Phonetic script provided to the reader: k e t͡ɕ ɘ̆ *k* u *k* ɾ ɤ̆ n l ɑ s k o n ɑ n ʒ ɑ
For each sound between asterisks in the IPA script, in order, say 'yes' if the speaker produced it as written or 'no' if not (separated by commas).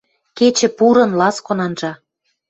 no, no